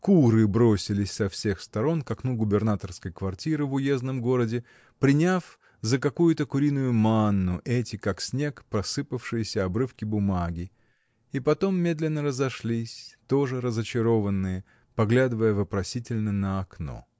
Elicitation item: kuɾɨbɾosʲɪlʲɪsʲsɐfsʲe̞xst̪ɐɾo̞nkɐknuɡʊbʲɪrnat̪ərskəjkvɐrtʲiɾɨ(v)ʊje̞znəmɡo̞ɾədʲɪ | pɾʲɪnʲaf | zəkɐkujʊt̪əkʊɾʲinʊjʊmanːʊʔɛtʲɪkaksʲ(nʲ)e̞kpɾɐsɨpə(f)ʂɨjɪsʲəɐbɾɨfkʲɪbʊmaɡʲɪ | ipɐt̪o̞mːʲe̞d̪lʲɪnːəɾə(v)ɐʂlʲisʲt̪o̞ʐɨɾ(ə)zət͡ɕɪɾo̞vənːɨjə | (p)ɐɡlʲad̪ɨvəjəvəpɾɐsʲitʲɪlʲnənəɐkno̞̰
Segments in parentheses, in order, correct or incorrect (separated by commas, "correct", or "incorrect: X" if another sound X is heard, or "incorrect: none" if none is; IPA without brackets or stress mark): correct, correct, correct, incorrect: z, correct, correct